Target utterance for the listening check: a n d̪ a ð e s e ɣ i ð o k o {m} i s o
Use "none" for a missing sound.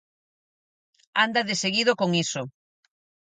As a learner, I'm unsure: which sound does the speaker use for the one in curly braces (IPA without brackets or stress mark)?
ŋ